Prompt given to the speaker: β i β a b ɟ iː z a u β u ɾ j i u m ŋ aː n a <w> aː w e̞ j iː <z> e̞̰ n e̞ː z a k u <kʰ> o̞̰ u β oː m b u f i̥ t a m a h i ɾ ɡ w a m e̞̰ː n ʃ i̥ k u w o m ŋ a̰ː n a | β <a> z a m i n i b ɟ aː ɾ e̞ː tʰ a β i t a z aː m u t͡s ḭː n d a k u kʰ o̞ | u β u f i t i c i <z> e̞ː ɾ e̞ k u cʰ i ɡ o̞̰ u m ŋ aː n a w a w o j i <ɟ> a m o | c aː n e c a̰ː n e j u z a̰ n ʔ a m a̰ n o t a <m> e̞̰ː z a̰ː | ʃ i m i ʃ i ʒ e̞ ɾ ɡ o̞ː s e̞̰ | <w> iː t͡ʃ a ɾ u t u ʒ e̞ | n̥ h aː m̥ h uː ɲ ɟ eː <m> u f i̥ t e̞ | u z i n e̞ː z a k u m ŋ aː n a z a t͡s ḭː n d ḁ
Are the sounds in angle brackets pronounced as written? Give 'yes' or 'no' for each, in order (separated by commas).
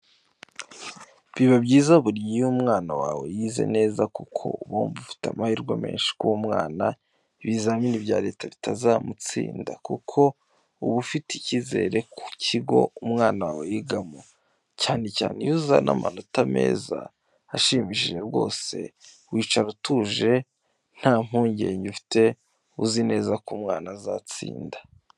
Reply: yes, yes, yes, no, yes, no, yes, yes, no